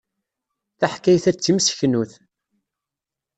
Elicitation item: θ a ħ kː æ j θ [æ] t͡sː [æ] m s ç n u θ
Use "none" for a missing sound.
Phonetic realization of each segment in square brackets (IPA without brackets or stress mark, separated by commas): æ, i